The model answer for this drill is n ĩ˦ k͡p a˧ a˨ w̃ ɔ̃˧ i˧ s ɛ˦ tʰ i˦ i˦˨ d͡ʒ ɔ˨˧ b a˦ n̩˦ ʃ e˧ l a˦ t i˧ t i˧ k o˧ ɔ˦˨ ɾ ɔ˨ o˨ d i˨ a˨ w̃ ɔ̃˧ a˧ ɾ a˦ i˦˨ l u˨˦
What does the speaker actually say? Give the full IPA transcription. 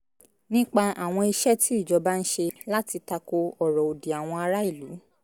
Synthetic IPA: n ĩ˦ k͡p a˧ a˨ w̃ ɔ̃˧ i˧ ʃ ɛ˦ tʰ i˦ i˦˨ d͡ʒ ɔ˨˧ b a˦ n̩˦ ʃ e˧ l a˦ t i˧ t a˧ k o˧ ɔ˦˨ ɾ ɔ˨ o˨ d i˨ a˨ w̃ ɔ̃˧ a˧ ɾ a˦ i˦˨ l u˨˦